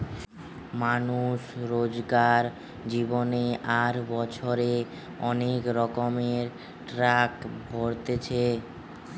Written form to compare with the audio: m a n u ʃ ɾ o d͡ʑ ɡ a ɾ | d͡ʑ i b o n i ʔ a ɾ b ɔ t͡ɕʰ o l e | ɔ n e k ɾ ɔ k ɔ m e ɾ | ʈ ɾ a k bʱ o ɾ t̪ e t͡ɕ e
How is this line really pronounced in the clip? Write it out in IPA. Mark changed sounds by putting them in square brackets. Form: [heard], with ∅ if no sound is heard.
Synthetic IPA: m a n u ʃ ɾ o d͡ʑ ɡ a ɾ | d͡ʑ i b o n [e] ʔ a ɾ b ɔ t͡ɕʰ o [ɾ] e | ɔ n e k ɾ ɔ k [o] m e ɾ | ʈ ɾ a k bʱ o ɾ t̪ e [t͡ɕʰ] e